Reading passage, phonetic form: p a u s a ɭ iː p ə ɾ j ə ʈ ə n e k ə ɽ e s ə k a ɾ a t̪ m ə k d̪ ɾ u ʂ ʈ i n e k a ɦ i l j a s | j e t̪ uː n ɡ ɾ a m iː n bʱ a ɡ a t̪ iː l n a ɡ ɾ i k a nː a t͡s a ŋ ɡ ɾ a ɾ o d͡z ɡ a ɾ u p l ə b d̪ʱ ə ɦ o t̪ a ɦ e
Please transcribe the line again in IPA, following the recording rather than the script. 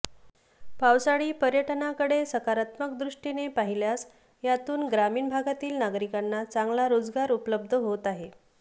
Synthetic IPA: p a w s a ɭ iː p ə ɾ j ə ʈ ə n a k ə ɽ e s ə k a ɾ a t̪ m ə k d̪ ɾ u ʂ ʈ i n e p a ɦ i l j a s | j a t̪ uː n ɡ ɾ a m iː n bʱ a ɡ a t̪ iː l n a ɡ ɾ i k a nː a t͡s a ŋ ɡ l a ɾ o d͡z ɡ a ɾ u p l ə b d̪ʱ ə ɦ o t̪ a ɦ e